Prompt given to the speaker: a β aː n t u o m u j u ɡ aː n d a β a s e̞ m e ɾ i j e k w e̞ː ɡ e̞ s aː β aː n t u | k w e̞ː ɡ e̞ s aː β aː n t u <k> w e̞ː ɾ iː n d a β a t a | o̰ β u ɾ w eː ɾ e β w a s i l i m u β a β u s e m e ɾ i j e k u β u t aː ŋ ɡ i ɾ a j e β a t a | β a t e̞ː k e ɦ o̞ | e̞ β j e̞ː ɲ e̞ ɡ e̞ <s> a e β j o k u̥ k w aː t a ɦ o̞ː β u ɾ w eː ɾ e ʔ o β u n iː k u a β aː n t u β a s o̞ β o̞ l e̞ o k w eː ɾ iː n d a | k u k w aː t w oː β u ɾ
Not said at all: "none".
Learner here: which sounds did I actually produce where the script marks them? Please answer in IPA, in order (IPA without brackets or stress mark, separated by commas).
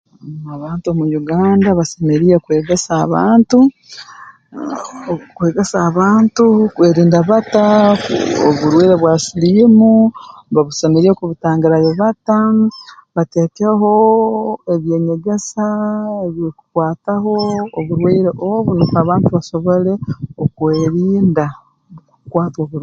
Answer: k, s